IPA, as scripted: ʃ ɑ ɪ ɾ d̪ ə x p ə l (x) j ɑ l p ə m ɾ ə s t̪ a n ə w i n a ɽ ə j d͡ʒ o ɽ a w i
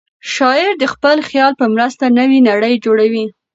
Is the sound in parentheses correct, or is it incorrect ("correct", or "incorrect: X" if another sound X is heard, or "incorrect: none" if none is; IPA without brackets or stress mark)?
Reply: correct